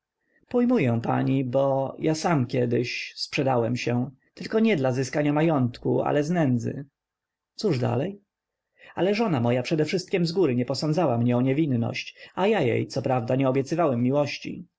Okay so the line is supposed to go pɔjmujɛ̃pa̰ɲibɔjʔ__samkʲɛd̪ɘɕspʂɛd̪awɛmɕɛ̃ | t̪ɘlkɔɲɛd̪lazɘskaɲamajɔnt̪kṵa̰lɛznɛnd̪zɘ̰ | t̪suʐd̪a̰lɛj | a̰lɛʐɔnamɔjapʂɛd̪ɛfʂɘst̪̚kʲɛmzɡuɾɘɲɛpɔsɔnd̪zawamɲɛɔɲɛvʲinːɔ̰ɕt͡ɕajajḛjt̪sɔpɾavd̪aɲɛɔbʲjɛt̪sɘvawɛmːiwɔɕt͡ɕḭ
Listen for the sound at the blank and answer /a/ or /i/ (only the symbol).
a